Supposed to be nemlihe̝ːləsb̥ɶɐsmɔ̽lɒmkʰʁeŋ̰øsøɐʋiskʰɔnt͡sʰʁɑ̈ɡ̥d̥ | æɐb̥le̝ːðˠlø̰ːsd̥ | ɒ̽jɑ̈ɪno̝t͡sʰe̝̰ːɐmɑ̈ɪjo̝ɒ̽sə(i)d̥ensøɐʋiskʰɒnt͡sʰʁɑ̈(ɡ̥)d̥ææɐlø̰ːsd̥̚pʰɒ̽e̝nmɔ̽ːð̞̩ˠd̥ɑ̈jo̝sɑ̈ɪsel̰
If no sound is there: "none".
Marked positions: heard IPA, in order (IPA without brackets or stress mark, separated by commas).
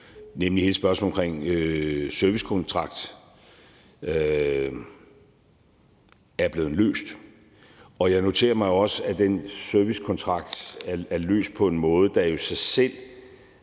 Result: æ, ɡ̥